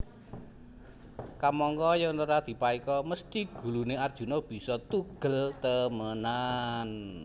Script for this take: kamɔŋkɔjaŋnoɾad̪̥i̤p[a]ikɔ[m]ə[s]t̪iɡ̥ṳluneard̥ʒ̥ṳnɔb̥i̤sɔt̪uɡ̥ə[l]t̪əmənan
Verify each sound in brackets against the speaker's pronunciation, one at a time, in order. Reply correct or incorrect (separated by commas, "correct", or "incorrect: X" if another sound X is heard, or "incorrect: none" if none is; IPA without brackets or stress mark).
correct, correct, correct, correct